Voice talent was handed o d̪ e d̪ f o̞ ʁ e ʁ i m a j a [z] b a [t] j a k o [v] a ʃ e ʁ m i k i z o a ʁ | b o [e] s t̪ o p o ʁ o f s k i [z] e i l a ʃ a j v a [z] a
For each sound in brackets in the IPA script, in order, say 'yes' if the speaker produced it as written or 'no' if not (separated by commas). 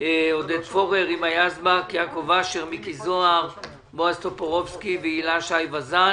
yes, no, yes, no, no, yes